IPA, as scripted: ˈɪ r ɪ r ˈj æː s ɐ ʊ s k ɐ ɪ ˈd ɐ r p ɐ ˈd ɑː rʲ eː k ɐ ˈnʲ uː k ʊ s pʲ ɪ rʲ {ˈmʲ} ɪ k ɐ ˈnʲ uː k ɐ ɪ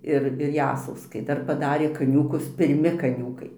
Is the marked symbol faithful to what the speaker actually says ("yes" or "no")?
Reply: yes